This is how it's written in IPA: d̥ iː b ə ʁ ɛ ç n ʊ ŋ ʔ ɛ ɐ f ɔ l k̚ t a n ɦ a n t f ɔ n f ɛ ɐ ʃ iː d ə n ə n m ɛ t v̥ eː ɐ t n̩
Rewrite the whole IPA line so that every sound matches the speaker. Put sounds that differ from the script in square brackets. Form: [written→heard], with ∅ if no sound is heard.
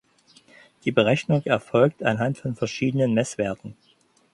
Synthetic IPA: d̥ iː b ə ʁ ɛ ç n ʊ ŋ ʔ ɛ ɐ f ɔ l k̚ t a n ɦ a n t f ɔ n f ɛ ɐ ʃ iː d ə n ə n m ɛ [t→s] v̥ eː ɐ t n̩

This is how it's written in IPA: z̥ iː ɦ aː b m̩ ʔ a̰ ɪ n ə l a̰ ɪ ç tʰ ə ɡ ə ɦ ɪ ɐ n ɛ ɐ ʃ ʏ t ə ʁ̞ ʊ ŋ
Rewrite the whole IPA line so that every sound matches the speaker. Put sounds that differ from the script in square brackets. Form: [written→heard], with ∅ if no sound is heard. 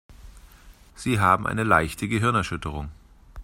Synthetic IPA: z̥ iː ɦ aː b m̩ ʔ a̰ ɪ n ə l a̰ ɪ ç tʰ ə ɡ ə ɦ ɪ ɐ n ɛ ɐ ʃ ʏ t ə ʁ̞ ʊ ŋ

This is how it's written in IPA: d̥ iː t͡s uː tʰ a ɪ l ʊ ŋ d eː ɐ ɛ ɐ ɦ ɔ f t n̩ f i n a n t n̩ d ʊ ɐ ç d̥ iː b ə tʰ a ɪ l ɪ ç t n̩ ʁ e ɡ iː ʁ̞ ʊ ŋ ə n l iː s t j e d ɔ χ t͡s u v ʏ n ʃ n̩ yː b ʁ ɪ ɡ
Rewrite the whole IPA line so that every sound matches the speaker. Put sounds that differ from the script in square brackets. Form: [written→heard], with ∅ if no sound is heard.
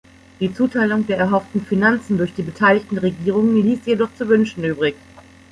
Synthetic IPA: d̥ iː t͡s uː tʰ a ɪ l ʊ ŋ d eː ɐ ɛ ɐ ɦ ɔ f t n̩ f i n a n [t→t͡s] n̩ d ʊ ɐ ç d̥ iː b ə tʰ a ɪ l ɪ ç t n̩ ʁ e ɡ iː ʁ̞ ʊ ŋ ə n l iː s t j e d ɔ χ t͡s u v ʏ n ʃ n̩ yː b ʁ ɪ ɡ

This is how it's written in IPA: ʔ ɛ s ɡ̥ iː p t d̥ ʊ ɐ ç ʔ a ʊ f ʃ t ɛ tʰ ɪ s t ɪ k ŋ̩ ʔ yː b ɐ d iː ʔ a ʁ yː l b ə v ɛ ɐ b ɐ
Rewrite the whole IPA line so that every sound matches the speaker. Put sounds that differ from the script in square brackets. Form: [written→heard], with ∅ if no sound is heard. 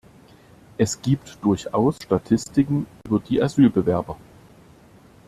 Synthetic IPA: ʔ ɛ s ɡ̥ iː p t d̥ ʊ ɐ ç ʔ a ʊ [f→s] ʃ t [ɛ→a] tʰ ɪ s t ɪ k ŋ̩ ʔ yː b ɐ d iː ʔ a [ʁ→z] yː l b ə v ɛ ɐ b ɐ

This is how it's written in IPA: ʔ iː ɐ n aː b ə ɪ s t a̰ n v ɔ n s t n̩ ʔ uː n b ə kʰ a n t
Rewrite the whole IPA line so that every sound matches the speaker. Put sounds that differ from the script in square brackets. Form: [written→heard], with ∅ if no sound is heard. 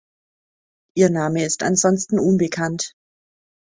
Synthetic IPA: ʔ iː ɐ n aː [b→m] ə ɪ s t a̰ n [v→z] ɔ n s t n̩ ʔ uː n b ə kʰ a n t

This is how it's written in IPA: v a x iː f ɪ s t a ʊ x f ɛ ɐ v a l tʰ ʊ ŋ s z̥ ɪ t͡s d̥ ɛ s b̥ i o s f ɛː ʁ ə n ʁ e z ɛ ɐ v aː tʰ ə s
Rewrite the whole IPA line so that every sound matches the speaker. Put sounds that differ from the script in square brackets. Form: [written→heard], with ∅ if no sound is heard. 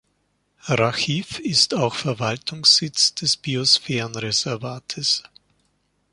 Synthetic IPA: [v→ʁ] a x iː f ɪ s t a ʊ x f ɛ ɐ v a l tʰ ʊ ŋ s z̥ ɪ t͡s d̥ ɛ s b̥ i o s f ɛː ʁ ə n ʁ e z ɛ ɐ v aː tʰ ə s

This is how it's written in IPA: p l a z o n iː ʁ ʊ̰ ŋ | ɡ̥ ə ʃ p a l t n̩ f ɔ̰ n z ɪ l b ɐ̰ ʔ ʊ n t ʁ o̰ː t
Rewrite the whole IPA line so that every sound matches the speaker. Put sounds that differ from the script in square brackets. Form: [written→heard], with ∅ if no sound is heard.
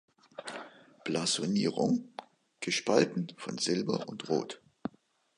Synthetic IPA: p l a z o n iː ʁ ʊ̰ ŋ | ɡ̥ ə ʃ p a l t n̩ f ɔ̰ n z ɪ l b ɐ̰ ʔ ʊ n t ʁ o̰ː t

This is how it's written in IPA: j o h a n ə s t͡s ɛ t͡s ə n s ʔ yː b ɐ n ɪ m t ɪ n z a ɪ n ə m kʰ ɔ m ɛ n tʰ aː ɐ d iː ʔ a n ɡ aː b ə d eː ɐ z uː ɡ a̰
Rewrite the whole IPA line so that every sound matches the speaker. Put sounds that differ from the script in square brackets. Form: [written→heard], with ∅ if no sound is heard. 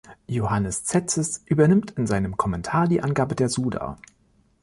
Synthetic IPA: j o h a n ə s t͡s ɛ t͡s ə [n→∅] s ʔ yː b ɐ n ɪ m t ɪ n z a ɪ n ə m kʰ ɔ m ɛ n tʰ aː ɐ d iː ʔ a n ɡ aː b ə d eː ɐ z uː [ɡ→d] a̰

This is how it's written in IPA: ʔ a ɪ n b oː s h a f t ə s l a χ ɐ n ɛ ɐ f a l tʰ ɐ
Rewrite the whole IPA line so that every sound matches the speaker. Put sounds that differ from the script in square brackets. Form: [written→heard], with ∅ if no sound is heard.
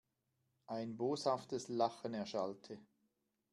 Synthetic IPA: ʔ a ɪ n b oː s h a f t ə s l a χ [ɐ→ə] n ɛ ɐ [f→ʃ] a l tʰ [ɐ→ə]

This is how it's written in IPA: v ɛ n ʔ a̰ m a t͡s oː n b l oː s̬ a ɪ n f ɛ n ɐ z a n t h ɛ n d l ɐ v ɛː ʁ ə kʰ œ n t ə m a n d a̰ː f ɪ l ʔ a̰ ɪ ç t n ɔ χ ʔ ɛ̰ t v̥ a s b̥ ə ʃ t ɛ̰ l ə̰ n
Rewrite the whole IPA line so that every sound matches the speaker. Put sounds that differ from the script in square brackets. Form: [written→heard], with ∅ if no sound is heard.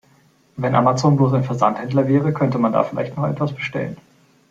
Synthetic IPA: v ɛ n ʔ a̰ m a t͡s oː n b l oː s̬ a ɪ n f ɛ [n→∅] ɐ z a n t h ɛ n d l ɐ v ɛː ʁ ə kʰ œ n t ə m a n d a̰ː f ɪ l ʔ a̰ ɪ ç t n ɔ χ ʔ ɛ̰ t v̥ a s b̥ ə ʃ t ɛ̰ l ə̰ n

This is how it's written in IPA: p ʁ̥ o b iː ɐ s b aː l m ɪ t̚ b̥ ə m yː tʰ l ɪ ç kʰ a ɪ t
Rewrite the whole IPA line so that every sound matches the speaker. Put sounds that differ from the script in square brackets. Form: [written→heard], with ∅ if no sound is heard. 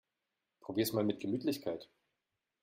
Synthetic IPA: p ʁ̥ o b iː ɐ s [b→m] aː l m ɪ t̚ [b̥→ɡ̥] ə m yː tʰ l ɪ ç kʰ a ɪ t

